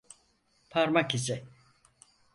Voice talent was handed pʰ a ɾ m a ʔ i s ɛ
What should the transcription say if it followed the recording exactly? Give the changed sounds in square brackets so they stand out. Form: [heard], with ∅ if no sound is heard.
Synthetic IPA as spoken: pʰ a ɾ m a [k] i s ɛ